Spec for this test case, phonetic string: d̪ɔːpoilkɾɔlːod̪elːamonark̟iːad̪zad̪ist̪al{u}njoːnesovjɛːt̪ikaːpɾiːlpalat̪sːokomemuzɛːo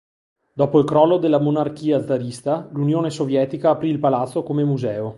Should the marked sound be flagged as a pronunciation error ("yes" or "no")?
no